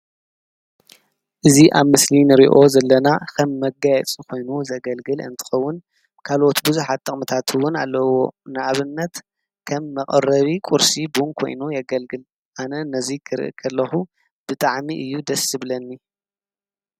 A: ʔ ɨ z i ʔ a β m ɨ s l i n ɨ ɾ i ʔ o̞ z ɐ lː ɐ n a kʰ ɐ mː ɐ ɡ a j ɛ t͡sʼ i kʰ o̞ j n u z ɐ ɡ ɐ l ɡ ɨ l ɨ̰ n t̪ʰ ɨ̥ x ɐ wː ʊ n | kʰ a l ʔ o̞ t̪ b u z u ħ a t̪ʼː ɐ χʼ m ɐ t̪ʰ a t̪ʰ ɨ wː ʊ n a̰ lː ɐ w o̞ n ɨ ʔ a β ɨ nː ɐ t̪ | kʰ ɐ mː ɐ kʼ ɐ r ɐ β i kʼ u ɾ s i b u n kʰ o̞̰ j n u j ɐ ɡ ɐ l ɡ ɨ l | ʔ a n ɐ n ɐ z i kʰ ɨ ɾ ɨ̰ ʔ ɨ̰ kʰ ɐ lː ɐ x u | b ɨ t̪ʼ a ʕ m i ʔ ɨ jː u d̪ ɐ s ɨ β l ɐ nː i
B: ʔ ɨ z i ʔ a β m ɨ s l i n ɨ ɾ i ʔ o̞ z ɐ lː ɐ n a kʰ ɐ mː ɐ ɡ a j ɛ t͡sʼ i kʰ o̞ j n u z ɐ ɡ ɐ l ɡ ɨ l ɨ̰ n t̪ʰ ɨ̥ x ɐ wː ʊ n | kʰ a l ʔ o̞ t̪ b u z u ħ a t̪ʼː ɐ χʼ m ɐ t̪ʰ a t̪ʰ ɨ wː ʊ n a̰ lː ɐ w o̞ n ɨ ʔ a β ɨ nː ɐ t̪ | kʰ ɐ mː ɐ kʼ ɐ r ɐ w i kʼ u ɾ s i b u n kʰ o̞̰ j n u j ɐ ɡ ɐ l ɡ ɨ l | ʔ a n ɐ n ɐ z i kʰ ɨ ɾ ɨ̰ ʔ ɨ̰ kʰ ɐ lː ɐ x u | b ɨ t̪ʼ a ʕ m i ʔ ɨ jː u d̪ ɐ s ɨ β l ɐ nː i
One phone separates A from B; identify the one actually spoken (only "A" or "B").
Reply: A